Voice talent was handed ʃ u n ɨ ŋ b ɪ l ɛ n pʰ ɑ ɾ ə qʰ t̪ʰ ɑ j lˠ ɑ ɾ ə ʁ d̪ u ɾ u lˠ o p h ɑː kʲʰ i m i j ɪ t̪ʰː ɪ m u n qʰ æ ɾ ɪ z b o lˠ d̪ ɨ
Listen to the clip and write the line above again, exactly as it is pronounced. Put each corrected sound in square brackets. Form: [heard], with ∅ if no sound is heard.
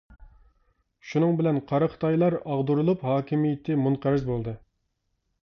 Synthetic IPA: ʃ u n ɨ ŋ b ɪ l ɛ n [qʰ] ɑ ɾ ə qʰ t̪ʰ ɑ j lˠ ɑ ɾ [ɑ] ʁ d̪ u ɾ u lˠ [u] p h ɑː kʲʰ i m i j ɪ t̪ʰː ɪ m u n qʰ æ ɾ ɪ z b o lˠ d̪ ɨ